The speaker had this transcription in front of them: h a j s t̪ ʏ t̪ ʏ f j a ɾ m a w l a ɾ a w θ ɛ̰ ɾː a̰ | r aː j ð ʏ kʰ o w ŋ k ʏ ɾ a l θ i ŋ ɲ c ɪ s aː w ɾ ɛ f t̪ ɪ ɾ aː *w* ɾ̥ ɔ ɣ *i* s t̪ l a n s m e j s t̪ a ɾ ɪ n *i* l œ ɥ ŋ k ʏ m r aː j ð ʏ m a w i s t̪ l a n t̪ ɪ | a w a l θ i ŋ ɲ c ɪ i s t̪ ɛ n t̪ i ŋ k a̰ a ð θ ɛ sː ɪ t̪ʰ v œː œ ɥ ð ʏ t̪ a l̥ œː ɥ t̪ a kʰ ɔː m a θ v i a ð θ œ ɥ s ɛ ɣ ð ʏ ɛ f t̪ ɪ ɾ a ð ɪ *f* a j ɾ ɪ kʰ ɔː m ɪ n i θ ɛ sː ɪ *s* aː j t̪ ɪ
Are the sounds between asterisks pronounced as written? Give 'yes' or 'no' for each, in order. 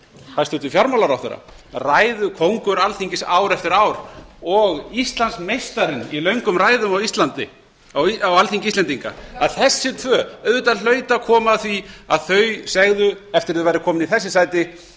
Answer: yes, yes, yes, no, yes

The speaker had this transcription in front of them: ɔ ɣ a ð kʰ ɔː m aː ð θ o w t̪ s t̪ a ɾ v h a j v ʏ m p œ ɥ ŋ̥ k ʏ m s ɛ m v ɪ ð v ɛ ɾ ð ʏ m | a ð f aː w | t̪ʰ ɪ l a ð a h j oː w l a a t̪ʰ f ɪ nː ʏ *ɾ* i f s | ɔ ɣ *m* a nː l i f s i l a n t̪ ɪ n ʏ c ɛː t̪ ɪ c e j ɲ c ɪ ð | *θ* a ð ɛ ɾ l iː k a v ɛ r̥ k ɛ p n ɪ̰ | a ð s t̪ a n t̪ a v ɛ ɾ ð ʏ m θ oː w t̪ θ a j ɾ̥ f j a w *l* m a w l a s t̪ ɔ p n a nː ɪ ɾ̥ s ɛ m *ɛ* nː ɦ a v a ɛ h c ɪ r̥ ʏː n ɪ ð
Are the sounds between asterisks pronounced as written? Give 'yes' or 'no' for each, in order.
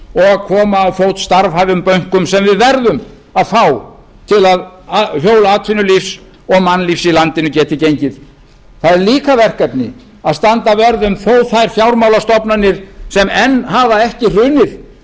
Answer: no, yes, yes, no, yes

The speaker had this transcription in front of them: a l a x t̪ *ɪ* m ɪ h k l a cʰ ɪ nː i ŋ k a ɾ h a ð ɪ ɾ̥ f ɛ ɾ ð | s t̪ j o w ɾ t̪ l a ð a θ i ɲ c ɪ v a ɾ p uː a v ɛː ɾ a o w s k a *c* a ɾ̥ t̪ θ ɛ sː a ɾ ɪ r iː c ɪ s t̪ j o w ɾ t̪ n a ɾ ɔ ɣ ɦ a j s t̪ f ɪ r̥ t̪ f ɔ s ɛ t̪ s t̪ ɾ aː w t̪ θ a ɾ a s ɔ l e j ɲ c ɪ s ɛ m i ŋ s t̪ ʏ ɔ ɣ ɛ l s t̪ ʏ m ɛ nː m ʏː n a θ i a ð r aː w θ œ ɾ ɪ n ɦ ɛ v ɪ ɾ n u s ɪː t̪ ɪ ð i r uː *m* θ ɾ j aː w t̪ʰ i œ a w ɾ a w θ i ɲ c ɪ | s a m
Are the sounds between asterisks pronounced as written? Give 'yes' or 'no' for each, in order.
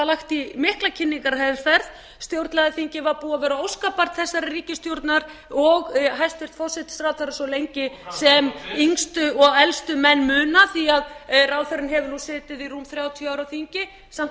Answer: no, no, yes

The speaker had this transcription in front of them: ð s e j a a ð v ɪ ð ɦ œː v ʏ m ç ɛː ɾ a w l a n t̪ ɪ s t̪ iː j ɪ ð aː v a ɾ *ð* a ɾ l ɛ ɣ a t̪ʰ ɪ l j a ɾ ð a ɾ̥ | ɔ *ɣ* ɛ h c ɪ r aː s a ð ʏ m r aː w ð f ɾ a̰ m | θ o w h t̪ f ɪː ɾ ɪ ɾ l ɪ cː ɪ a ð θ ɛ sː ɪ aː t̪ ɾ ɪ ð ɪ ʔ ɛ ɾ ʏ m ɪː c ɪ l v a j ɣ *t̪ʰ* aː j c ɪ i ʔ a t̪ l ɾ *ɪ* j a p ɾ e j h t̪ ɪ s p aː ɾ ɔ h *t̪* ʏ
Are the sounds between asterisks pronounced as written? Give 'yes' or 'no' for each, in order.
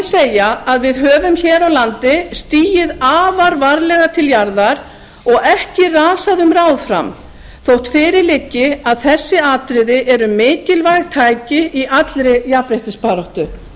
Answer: no, yes, yes, yes, yes

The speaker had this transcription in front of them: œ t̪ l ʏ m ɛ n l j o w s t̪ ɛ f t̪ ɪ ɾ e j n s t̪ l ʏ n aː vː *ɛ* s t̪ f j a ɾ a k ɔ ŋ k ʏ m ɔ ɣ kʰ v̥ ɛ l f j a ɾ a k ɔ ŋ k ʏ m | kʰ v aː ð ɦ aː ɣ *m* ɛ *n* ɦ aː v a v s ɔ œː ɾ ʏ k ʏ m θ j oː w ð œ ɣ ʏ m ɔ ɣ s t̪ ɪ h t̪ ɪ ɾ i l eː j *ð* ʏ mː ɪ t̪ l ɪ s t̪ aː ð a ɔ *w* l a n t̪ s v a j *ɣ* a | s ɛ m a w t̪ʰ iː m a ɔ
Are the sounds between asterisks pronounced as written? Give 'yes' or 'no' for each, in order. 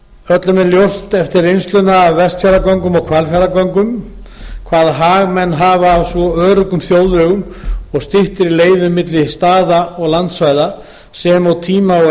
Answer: yes, yes, no, yes, no, no

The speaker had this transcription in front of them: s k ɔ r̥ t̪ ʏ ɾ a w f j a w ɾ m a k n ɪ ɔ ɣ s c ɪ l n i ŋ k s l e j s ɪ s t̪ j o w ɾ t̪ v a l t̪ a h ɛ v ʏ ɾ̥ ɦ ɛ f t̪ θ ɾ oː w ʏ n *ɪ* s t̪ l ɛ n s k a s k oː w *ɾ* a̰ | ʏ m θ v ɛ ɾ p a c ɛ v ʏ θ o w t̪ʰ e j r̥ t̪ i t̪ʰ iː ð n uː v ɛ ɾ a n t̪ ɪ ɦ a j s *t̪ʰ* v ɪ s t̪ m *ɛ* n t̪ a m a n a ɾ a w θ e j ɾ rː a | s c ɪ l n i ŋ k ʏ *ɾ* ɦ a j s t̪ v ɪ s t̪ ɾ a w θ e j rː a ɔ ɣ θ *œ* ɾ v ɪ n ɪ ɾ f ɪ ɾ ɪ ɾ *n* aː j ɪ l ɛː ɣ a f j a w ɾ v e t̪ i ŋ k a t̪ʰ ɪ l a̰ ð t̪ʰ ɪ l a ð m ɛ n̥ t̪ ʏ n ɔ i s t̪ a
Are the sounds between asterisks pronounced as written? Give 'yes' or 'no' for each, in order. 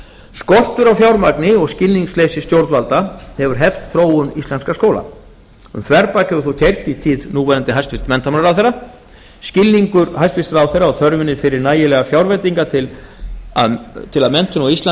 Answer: no, no, no, yes, yes, yes, yes

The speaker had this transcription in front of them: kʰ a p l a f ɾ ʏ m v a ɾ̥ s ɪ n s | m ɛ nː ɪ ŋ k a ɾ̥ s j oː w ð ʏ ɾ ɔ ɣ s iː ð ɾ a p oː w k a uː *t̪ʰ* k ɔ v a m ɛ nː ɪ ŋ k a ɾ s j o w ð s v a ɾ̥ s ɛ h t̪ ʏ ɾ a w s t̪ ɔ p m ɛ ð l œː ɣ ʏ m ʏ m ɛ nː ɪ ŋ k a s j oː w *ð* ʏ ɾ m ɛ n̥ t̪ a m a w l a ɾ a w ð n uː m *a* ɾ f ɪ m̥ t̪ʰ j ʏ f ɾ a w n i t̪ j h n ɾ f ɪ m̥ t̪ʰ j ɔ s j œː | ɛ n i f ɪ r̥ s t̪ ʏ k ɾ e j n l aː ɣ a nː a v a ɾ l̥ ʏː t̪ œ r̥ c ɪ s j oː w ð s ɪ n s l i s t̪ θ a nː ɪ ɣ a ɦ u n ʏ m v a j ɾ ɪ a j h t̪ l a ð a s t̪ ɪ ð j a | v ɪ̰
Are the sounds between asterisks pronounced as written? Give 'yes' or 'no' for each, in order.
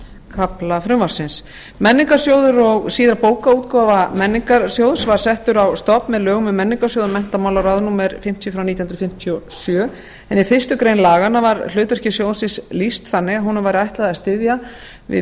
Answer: no, yes, no

